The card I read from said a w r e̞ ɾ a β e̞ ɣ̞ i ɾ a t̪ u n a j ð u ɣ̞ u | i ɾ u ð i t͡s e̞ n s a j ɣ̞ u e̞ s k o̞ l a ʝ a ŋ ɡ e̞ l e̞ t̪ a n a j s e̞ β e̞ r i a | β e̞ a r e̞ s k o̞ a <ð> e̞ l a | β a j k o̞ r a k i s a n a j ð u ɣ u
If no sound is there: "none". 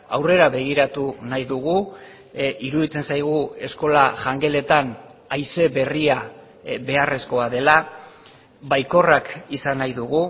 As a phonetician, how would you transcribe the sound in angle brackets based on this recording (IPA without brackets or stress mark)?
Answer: ð